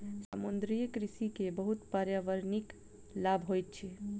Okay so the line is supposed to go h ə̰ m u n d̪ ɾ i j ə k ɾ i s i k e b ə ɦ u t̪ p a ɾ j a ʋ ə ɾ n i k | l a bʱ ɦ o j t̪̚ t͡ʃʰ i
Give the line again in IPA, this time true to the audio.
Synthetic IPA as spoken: s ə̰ m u n d̪ ɾ i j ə k ɾ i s i k e b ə ɦ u t̪ p a ɾ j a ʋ ə ɾ n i k | l a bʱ ɦ o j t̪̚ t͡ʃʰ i